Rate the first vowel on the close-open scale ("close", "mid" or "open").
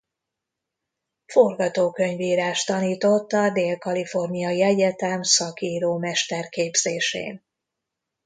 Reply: mid